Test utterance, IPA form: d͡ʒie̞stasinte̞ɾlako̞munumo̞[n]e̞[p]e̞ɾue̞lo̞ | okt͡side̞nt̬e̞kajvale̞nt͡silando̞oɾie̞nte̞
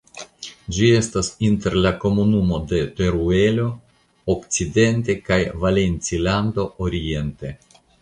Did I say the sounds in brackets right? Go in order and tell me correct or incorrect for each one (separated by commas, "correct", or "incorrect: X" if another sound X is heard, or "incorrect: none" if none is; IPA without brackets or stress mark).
incorrect: d, incorrect: t